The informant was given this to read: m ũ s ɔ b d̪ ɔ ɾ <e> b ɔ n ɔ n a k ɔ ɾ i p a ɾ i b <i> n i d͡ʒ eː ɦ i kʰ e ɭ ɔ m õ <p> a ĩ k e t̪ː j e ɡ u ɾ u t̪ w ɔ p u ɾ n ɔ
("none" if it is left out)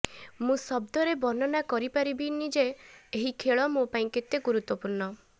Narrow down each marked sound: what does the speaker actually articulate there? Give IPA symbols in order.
e, i, p

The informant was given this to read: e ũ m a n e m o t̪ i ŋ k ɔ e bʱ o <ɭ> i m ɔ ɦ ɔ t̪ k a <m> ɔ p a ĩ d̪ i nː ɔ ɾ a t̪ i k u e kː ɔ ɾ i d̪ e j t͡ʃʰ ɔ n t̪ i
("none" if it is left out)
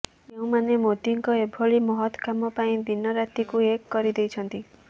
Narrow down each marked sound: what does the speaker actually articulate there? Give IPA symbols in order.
ɭ, m

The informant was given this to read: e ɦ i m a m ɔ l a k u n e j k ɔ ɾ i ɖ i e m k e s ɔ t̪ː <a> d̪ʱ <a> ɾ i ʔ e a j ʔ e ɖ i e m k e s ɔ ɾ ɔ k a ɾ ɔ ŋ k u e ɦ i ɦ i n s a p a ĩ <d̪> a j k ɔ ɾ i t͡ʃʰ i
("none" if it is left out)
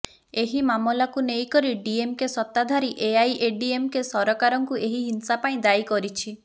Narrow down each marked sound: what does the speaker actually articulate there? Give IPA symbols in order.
a, a, d̪

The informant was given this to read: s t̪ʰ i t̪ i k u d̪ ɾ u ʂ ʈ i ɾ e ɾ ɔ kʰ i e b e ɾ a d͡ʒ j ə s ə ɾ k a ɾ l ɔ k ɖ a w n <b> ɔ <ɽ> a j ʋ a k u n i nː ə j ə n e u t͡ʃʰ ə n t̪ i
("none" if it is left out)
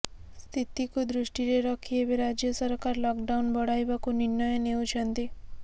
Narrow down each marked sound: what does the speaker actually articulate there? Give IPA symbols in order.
b, ɽ

